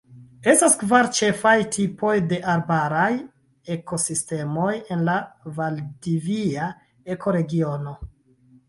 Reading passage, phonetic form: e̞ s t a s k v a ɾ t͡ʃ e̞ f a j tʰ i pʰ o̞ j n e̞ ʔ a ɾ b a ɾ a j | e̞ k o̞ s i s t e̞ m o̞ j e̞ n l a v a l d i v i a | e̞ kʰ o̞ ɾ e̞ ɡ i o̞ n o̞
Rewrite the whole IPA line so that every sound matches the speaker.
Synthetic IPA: e̞ s t a s k v a ɾ t͡ʃ e̞ f a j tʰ i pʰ o̞ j d e̞ ʔ a ɾ b a ɾ a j | e̞ k o̞ s i s t e̞ m o̞ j e̞ n l a v a l d i v i a | e̞ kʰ o̞ ɾ e̞ ɡ i o̞ n o̞